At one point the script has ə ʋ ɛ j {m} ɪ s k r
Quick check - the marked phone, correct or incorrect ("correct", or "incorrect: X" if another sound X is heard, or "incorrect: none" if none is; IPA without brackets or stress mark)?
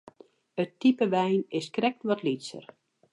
incorrect: n